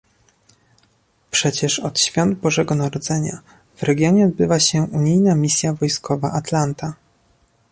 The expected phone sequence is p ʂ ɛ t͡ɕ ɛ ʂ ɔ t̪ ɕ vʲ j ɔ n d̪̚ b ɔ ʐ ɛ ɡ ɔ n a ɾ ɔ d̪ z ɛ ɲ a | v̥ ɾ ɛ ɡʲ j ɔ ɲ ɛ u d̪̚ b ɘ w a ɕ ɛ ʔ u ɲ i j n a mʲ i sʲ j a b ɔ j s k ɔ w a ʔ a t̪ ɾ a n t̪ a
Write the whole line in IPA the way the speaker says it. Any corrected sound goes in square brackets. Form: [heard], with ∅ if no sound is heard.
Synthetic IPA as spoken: p ʂ ɛ t͡ɕ ɛ ʂ ɔ t̪ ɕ [fʲ] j ɔ n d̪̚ b ɔ ʐ ɛ ɡ ɔ n a ɾ ɔ d̪ z ɛ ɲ a | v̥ ɾ ɛ ɡʲ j ɔ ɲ ɛ [ɔ] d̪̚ b ɘ [v] a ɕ ɛ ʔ u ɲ i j n a mʲ i sʲ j a [v] ɔ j s k ɔ [v] a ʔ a t̪ [l] a n t̪ a